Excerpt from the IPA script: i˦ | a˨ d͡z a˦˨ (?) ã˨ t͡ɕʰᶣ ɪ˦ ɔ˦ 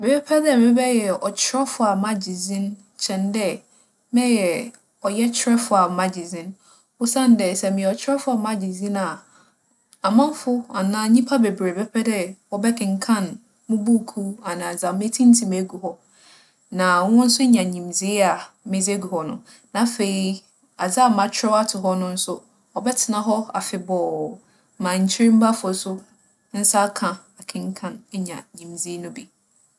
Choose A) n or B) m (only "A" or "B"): B